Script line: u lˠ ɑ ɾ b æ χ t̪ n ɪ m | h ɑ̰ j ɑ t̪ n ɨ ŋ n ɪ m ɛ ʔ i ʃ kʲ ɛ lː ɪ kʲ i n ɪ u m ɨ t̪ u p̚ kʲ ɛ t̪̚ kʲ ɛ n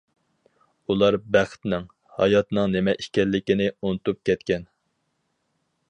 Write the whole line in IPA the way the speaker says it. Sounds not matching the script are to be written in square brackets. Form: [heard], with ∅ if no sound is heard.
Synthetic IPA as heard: u lˠ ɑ ɾ b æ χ t̪ n ɪ [ŋ] | h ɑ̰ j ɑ t̪ n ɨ ŋ n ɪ m ɛ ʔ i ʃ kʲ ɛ lː ɪ kʲ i n ɪ u [n] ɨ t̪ u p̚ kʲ ɛ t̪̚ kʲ ɛ n